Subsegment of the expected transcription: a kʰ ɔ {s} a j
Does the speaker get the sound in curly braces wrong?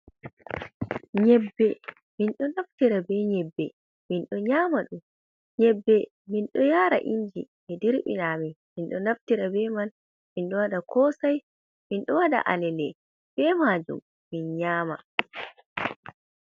no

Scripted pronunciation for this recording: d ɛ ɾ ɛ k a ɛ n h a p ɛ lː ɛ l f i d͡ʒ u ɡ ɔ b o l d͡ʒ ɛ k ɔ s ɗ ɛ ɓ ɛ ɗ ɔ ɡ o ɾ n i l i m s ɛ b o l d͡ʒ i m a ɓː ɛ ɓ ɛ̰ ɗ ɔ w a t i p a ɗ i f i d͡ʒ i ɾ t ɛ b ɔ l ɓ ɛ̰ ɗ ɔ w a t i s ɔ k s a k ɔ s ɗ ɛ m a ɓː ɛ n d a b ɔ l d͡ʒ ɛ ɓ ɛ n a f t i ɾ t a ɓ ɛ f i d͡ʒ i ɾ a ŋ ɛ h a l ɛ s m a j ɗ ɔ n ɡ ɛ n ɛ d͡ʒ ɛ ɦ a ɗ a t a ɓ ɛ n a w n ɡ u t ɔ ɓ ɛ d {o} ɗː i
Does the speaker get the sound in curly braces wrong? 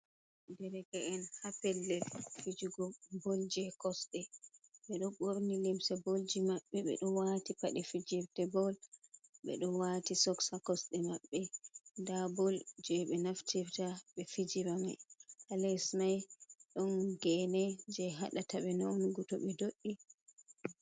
no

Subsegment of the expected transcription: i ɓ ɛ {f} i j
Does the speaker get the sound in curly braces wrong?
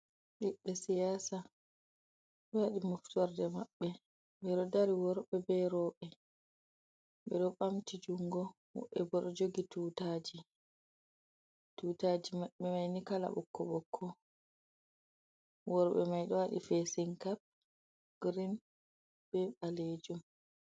yes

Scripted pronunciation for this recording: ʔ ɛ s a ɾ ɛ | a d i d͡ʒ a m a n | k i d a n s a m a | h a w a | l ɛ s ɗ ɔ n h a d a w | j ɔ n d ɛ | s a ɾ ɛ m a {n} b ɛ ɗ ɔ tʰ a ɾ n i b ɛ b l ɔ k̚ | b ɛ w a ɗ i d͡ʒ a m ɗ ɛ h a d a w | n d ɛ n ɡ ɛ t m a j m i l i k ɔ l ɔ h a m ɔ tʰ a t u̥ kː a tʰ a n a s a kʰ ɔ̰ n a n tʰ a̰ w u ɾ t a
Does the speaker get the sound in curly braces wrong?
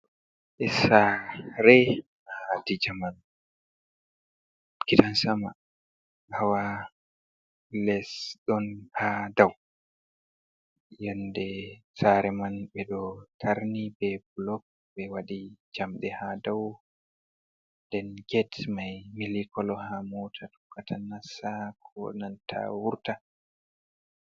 no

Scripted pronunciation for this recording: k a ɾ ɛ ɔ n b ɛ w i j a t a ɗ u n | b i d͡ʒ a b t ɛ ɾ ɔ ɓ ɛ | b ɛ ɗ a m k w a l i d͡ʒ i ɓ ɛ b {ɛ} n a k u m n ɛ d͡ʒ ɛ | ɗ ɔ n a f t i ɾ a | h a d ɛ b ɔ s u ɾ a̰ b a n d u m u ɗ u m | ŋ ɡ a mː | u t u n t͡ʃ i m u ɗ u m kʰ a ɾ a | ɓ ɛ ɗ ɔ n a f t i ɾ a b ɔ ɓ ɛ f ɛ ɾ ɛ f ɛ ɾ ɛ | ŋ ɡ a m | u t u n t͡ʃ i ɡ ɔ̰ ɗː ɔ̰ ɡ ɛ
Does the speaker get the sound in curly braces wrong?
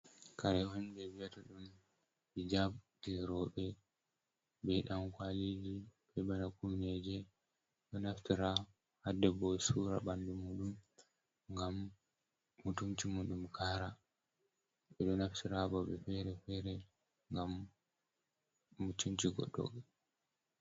yes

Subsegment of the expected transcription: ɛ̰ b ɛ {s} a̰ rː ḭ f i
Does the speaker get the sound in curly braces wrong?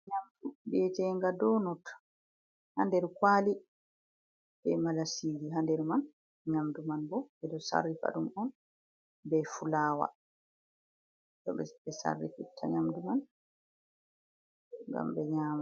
no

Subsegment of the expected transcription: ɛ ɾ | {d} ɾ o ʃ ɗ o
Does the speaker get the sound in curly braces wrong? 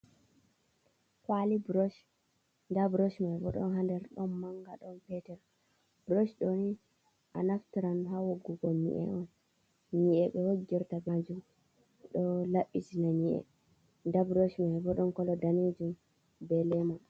yes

